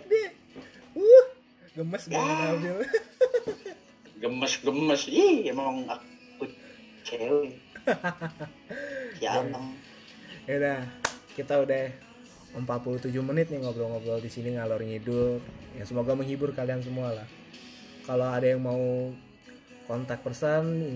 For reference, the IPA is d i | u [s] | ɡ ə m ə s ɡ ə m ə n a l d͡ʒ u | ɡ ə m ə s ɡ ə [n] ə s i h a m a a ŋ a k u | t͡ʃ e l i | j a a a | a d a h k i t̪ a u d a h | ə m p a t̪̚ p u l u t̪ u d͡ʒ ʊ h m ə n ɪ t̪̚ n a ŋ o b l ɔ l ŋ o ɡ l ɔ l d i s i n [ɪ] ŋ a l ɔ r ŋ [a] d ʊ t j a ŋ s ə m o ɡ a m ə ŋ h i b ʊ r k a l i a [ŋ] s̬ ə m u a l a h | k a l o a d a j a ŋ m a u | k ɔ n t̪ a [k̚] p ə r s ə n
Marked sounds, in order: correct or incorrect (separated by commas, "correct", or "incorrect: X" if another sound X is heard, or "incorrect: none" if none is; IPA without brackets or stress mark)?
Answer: incorrect: h, incorrect: m, incorrect: i, incorrect: i, incorrect: n, correct